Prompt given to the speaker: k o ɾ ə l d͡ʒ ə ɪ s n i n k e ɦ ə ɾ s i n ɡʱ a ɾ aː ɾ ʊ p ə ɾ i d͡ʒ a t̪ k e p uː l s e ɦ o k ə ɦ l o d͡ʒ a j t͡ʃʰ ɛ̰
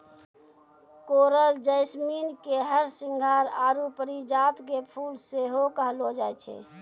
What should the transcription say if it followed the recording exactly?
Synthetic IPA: k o ɾ ə l d͡ʒ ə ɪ s m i n k e ɦ ə ɾ s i ŋ ɡʱ a ɾ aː ɾ u p ə ɾ i d͡ʒ a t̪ k e pʰ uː l s e ɦ o k ə ɦ l o d͡ʒ a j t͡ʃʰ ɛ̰

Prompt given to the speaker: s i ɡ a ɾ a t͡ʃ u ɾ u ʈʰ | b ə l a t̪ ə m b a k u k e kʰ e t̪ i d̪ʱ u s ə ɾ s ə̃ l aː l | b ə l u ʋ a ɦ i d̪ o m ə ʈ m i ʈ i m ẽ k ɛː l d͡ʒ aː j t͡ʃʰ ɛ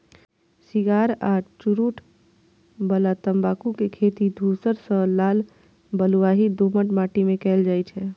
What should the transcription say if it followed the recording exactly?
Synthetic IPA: s i ɡ a ɾ a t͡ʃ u ɾ u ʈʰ | b ə l a t̪ ə m b a k u k e kʰ e t̪ i d̪ʱ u s ə ɾ s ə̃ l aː l | b ə l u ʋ a ɦ i d̪ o m ə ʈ m a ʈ i m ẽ k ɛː l d͡ʒ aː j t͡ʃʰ ɛ

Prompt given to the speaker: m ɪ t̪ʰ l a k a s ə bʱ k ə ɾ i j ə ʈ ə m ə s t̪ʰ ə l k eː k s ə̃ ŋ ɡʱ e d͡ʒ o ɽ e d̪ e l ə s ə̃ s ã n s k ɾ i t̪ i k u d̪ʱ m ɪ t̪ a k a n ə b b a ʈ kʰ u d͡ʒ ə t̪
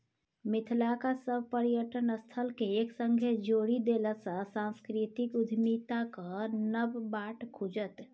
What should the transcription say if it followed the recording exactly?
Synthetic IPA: m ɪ t̪ʰ l a k a s ə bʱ p ə ɾ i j ə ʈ ə n ə s t̪ʰ ə l k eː k s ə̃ ŋ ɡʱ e d͡ʒ o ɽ i d̪ e l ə s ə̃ s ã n s k ɾ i t̪ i k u d̪ʱ m i t̪ a k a n ə b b a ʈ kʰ u d͡ʒ ə t̪

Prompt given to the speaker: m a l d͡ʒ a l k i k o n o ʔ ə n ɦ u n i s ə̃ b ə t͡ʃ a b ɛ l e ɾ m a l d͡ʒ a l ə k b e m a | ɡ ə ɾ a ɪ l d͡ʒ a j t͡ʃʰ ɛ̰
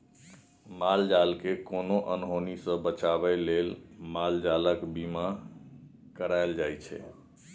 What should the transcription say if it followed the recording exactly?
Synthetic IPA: m a l d͡ʒ a l k e k o n o ʔ ə n ɦ o n i s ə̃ b ə t͡ʃ a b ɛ l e l m a l d͡ʒ a l ə k b i m a | k ə ɾ a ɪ l d͡ʒ a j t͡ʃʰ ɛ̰

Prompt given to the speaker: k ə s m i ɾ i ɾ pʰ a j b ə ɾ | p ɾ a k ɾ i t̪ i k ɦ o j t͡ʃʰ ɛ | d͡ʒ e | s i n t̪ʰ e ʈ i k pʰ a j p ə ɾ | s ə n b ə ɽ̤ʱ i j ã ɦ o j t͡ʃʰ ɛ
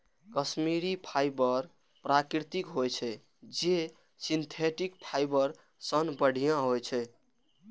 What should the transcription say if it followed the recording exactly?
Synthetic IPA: k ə s m i ɾ i pʰ a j b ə ɾ | p ɾ a k ɾ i t̪ i k ɦ o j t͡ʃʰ ɛ | d͡ʒ e | s i n t̪ʰ e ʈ i k pʰ a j b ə ɾ | s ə n b ə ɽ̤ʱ i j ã ɦ o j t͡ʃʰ ɛ

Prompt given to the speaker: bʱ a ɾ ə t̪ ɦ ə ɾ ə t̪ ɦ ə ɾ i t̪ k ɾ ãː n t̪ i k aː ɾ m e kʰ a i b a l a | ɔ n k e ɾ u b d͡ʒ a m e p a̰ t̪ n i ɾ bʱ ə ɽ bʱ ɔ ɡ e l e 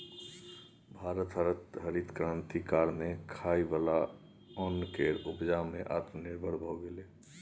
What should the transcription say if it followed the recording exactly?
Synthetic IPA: bʱ a ɾ ə t̪ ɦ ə ɾ ə t̪ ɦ ə ɾ i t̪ k ɾ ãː n t̪ i k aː ɾ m e kʰ a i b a l a | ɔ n k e ɾ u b d͡ʒ a m e ʔ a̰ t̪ n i ɾ bʱ ə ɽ bʱ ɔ ɡ e l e

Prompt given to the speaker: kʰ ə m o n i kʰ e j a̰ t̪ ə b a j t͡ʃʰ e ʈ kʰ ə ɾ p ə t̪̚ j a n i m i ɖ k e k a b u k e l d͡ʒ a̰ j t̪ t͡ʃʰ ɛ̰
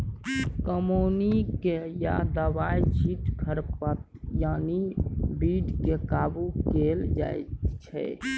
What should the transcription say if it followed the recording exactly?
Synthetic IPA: k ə m o n i k e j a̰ d̪ ə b a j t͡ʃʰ i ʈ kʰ ə ɾ p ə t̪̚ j a n i b i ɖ k e k a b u k e l d͡ʒ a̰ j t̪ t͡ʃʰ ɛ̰

